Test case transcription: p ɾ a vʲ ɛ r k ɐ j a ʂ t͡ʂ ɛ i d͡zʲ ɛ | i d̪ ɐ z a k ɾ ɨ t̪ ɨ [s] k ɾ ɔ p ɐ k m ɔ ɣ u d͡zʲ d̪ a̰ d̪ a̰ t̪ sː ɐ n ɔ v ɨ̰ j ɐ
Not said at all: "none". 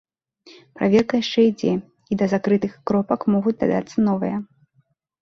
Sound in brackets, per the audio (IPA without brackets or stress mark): x